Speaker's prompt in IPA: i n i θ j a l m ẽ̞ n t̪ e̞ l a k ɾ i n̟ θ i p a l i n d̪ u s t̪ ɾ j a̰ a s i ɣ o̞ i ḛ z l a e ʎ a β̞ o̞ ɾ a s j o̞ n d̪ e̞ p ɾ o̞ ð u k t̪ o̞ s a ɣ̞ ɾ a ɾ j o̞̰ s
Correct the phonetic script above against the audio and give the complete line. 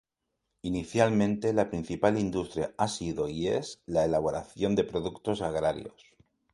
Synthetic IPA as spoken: i n i θ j a l m ẽ̞ n t̪ e̞ l a p ɾ i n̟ θ i p a l i n d̪ u s t̪ ɾ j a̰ a s i ð o̞ i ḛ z l a e l a β̞ o̞ ɾ a θ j o̞ n d̪ e̞ p ɾ o̞ ð u k t̪ o̞ s a ɣ̞ ɾ a ɾ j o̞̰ s